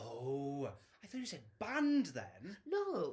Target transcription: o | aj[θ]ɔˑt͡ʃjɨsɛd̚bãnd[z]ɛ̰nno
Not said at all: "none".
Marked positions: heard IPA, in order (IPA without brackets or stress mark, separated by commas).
θ, ð